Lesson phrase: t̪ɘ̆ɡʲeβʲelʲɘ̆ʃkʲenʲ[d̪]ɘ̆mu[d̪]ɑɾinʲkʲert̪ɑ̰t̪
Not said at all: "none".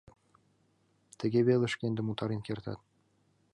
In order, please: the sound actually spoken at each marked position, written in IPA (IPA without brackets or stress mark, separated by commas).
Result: d̪, t̪